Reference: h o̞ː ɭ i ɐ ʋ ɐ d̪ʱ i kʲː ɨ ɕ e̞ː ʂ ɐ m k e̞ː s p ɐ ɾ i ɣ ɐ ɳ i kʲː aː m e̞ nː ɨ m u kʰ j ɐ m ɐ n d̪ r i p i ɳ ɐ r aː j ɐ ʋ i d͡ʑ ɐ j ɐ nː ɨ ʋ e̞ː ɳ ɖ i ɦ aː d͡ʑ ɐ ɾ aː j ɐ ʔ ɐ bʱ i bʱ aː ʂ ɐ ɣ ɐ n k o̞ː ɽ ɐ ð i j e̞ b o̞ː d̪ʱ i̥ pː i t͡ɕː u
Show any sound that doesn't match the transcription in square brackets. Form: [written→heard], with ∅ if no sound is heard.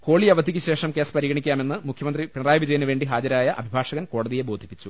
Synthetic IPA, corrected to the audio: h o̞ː ɭ i ɐ ʋ ɐ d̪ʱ i kʲː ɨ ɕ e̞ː ʂ ɐ m k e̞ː s p ɐ ɾ i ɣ ɐ ɳ i kʲː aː m e̞ nː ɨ m u kʰ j ɐ m ɐ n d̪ r i p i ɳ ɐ r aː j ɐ ʋ i d͡ʑ ɐ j ɐ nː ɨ ʋ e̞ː ɳ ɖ i ɦ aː d͡ʑ ɐ ɾ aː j ɐ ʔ ɐ bʱ i bʱ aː ʂ ɐ ɣ ɐ n k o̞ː ɽ ɐ ð i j e̞ b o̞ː d̪ʱ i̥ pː i t͡ɕː u